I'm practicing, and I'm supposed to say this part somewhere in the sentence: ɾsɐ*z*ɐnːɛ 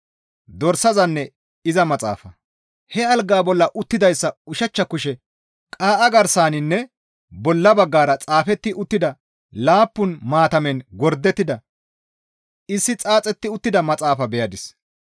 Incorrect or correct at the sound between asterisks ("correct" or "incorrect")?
correct